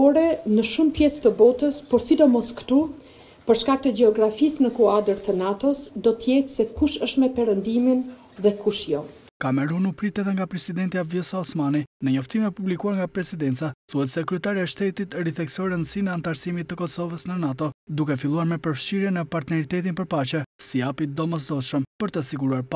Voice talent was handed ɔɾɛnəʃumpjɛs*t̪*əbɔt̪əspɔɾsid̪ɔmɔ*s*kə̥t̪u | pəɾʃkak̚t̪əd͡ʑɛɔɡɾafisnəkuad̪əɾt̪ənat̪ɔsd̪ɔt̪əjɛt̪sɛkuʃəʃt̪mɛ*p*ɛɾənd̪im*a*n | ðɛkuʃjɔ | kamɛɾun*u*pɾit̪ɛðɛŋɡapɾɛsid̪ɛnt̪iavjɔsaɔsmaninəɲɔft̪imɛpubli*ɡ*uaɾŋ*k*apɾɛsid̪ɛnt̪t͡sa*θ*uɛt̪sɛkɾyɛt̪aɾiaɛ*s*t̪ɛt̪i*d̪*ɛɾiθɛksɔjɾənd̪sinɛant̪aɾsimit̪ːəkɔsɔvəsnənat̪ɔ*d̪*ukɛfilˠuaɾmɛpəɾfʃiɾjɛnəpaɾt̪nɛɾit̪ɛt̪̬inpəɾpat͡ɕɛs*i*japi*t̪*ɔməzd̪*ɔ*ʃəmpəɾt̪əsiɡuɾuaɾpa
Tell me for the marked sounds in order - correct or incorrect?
correct, correct, correct, incorrect: i, correct, incorrect: k, incorrect: ɡ, correct, incorrect: ʃ, incorrect: t̪, correct, correct, incorrect: d̪, correct

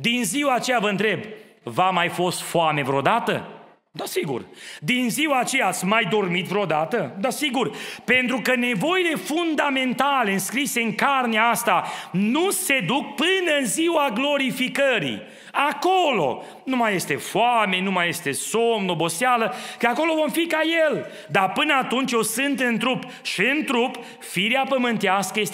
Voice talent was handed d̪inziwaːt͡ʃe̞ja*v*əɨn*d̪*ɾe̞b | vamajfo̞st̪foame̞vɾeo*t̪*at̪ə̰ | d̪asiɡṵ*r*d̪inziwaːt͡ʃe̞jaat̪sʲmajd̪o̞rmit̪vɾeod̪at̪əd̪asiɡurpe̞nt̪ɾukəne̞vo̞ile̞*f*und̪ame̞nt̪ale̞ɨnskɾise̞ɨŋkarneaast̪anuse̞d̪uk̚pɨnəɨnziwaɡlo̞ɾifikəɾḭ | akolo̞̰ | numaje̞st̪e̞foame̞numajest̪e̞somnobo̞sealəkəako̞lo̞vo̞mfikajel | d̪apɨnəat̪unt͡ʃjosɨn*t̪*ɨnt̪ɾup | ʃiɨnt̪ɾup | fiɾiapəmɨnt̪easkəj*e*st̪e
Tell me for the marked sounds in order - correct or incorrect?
correct, incorrect: t̪, incorrect: d̪, correct, correct, correct, correct

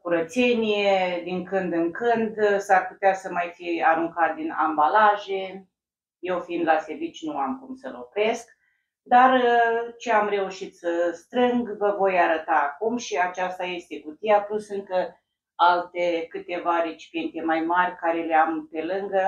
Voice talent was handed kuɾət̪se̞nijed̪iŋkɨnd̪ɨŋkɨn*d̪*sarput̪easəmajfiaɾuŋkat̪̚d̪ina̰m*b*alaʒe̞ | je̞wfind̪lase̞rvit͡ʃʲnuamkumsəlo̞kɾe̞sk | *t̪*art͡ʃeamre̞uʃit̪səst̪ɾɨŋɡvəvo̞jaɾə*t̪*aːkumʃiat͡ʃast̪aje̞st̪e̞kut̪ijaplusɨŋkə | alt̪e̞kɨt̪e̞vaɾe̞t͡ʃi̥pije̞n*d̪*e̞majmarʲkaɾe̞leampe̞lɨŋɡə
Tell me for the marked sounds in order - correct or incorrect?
correct, correct, incorrect: d̪, correct, incorrect: t̪

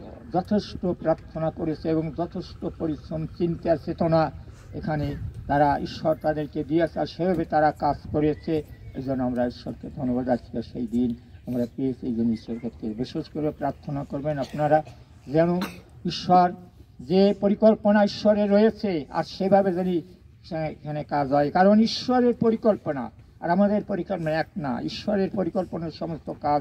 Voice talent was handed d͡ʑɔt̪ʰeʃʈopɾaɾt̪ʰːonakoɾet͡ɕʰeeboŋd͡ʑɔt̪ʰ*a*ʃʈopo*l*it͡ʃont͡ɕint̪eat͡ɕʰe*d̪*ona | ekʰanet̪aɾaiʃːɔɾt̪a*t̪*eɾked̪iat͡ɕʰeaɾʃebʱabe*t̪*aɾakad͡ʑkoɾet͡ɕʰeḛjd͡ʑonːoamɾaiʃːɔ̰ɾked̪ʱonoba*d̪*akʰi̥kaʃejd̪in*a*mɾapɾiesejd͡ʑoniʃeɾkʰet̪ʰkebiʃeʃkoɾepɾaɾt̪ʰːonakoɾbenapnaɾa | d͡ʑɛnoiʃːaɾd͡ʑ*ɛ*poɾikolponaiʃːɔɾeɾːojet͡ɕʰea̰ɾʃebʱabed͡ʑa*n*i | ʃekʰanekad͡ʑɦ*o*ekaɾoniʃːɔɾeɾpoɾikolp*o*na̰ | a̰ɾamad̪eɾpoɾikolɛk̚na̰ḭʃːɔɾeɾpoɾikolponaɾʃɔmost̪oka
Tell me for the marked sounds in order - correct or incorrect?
incorrect: e, incorrect: ɾ, incorrect: t̪, incorrect: d̪, correct, correct, correct, incorrect: e, correct, incorrect: ɔ, correct

